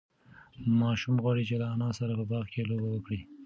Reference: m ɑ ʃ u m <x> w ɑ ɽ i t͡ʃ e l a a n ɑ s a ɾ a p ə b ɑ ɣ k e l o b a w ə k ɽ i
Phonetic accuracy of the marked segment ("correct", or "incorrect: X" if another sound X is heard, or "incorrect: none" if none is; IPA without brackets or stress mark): incorrect: ɣ